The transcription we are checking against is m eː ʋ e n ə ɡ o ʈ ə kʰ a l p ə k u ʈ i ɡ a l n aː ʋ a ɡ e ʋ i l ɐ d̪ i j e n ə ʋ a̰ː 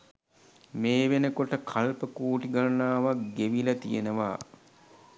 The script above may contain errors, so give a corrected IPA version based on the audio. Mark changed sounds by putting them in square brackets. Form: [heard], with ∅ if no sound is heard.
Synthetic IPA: m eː ʋ e n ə [k] o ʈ ə kʰ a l p ə k [uː] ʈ i ɡ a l n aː ʋ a ɡ e ʋ i l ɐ [t̪] i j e n ə ʋ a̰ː

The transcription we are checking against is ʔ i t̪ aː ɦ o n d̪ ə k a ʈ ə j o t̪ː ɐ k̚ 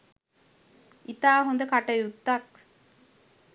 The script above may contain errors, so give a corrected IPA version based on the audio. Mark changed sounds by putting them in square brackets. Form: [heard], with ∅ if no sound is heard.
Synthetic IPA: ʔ i t̪ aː ɦ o n d̪ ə k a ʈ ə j [u] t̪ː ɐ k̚

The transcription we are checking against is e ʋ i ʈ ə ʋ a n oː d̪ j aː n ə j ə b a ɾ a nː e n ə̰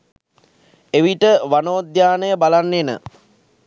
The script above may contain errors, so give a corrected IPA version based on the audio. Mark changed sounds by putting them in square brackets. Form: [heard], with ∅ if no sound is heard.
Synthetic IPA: e ʋ i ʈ ə ʋ a n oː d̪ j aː n ə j ə b a [l] a nː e n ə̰

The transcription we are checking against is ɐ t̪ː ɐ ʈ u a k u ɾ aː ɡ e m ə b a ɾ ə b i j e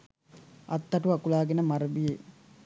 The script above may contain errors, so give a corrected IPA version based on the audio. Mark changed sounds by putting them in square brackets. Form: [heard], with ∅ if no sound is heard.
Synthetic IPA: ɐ t̪ː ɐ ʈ u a k u [l] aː ɡ e [n] ə [m] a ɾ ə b i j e

